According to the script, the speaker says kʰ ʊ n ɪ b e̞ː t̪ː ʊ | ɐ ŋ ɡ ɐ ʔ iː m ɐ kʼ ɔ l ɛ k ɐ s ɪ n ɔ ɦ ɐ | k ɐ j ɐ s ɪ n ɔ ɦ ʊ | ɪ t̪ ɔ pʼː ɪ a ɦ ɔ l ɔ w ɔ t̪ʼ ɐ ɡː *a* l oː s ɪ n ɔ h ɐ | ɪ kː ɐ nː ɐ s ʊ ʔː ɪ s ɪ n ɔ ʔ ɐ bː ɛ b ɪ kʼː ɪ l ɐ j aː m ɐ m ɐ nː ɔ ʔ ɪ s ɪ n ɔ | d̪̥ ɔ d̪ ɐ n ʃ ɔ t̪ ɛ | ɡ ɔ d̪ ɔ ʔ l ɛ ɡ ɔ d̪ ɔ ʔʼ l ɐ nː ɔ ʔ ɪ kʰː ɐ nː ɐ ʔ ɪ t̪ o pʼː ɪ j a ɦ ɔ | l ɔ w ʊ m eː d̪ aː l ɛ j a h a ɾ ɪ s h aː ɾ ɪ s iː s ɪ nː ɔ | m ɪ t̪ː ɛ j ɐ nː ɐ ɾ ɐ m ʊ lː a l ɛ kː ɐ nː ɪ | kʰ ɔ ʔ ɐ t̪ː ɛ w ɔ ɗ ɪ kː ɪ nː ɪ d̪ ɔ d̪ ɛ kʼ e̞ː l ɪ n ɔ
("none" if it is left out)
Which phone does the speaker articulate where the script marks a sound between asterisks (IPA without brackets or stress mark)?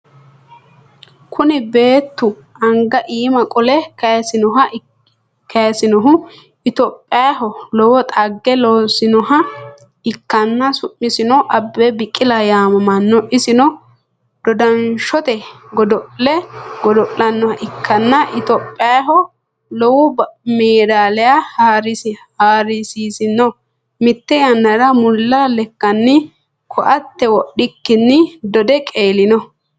ɛ